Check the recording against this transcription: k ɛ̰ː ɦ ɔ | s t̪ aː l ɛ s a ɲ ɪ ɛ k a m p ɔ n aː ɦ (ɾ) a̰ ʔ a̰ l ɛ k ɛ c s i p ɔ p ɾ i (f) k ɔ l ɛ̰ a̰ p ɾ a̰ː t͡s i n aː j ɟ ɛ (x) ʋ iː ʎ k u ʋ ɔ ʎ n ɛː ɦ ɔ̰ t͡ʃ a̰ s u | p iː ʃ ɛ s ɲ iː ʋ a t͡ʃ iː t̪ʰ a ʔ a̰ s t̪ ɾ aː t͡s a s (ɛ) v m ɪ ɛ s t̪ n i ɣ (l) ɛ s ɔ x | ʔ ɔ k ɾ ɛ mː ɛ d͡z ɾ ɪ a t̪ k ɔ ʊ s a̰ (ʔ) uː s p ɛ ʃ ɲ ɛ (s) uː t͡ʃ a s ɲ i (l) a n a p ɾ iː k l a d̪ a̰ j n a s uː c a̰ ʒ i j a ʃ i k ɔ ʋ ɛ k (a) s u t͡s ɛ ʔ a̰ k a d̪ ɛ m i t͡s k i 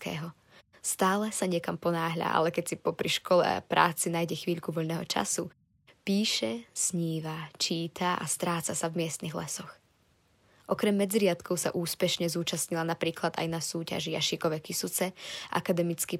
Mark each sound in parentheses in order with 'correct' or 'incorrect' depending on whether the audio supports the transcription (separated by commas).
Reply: incorrect, incorrect, correct, incorrect, correct, correct, incorrect, correct, incorrect